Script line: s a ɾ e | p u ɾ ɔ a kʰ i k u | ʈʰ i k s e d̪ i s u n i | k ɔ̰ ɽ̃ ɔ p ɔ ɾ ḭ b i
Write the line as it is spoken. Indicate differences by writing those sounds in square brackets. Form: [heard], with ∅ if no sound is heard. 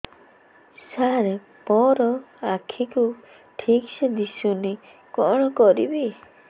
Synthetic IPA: s a ɾ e | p [ɔ] ɾ ɔ a kʰ i k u | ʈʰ i k s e d̪ i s u n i | k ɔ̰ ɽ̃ ɔ [k] ɔ ɾ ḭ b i